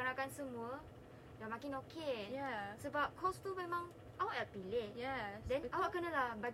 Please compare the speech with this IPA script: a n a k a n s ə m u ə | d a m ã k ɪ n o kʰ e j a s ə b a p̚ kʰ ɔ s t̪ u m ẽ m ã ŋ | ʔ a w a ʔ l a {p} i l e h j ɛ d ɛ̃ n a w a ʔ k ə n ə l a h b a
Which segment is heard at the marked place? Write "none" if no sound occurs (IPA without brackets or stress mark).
p